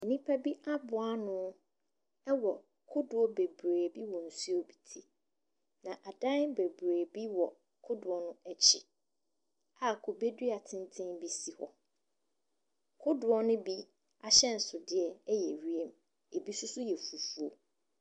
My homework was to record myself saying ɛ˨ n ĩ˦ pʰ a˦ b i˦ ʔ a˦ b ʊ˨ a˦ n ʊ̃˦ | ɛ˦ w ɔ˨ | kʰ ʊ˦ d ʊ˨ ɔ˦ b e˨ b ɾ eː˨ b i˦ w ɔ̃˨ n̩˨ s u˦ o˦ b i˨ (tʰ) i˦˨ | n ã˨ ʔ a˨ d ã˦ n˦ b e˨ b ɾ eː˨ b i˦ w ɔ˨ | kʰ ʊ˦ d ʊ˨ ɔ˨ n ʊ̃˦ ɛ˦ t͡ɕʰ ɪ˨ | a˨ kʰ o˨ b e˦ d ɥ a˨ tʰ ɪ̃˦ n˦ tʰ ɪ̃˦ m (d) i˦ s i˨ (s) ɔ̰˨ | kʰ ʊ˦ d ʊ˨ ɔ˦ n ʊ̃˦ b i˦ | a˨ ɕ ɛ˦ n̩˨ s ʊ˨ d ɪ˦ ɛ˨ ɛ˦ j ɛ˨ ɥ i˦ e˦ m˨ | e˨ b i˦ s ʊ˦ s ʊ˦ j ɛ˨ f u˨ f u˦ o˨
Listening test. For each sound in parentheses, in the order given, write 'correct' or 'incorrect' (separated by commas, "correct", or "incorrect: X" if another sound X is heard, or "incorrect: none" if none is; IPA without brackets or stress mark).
correct, incorrect: b, incorrect: h